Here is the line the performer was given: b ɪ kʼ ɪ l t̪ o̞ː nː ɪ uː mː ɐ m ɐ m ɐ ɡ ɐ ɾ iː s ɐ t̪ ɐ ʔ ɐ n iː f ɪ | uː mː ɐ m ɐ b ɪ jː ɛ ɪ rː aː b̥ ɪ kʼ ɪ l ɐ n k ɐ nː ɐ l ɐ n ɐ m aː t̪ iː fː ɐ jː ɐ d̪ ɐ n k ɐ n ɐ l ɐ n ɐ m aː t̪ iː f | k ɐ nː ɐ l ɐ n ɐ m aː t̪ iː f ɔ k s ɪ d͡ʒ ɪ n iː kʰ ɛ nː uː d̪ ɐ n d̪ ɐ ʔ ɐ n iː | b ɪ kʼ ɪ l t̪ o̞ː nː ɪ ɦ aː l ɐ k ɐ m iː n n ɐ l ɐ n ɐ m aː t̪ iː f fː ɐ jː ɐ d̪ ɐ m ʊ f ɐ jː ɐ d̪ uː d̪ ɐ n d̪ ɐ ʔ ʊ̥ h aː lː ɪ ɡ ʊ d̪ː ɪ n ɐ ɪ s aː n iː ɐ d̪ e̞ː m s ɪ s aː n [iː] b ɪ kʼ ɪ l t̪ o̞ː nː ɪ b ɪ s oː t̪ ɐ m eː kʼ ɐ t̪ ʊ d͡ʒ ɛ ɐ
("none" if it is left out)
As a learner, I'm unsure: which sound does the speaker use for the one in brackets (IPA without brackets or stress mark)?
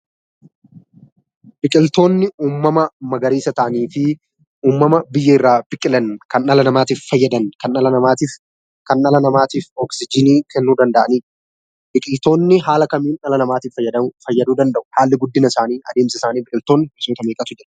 iː